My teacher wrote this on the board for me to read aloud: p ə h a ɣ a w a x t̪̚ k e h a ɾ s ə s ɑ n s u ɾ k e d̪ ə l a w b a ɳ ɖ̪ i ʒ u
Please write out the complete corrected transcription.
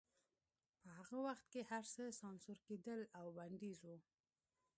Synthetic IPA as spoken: p ə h a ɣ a w a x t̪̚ k e h a ɾ s ə s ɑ n s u ɾ k e d̪ ə l a w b a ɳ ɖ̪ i z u